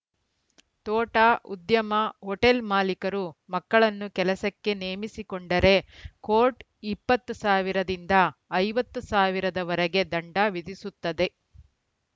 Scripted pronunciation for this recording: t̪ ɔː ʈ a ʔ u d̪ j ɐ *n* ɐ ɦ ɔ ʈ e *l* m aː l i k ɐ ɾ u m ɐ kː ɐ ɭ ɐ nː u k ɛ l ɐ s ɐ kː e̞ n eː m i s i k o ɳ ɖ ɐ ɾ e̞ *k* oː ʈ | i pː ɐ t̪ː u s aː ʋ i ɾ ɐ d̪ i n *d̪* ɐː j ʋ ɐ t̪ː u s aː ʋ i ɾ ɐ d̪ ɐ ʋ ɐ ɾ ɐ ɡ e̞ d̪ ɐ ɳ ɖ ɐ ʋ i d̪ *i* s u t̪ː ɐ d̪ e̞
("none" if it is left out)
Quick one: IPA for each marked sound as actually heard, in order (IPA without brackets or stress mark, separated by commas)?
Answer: m, l, k, d̪, i